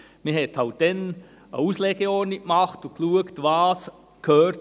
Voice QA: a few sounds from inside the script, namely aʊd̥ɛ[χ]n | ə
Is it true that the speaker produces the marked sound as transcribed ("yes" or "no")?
no